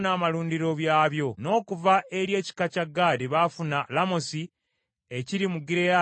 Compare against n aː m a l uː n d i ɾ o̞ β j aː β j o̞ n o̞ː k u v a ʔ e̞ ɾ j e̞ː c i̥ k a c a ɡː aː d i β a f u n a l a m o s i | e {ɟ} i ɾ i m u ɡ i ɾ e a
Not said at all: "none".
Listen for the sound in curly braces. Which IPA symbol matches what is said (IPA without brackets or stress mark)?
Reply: c